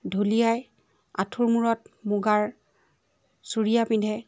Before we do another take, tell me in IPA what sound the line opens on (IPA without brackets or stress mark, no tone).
dʱ